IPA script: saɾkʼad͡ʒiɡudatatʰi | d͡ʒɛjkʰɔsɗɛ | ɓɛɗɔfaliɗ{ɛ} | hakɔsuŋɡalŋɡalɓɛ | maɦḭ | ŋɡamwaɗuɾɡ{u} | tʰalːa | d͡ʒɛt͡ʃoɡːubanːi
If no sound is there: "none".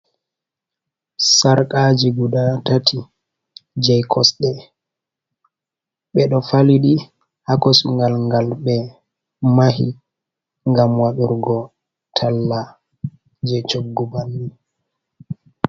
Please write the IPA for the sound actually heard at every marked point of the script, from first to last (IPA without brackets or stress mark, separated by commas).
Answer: i, ɔ